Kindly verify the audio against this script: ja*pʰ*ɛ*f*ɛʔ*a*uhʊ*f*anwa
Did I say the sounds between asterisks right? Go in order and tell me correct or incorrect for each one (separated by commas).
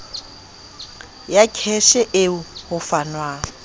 incorrect, incorrect, incorrect, correct